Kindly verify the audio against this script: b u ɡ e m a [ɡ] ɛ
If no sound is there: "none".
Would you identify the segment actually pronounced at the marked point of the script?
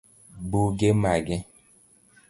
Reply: ɡ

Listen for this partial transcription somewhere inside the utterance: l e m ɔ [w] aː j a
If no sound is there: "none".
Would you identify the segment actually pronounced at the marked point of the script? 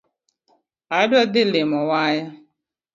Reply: w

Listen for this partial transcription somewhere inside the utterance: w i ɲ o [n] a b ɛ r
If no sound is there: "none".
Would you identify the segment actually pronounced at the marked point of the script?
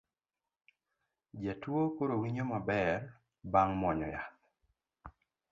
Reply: m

